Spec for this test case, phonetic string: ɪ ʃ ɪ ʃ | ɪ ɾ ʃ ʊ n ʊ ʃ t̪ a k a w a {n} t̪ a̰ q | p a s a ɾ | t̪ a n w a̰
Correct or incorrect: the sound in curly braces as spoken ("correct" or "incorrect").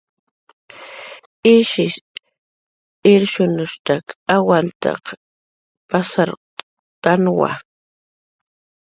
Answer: correct